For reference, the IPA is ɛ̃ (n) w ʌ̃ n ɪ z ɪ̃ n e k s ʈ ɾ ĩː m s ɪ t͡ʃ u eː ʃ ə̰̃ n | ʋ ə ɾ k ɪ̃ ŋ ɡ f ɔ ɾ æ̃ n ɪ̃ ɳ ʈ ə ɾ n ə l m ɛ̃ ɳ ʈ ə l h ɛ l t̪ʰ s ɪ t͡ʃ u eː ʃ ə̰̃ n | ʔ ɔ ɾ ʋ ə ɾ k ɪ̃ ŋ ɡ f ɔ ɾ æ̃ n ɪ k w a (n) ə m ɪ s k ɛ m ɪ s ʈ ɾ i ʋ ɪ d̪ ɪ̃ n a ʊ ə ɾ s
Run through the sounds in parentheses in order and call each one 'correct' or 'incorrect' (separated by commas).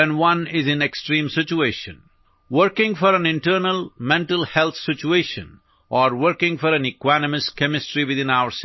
correct, correct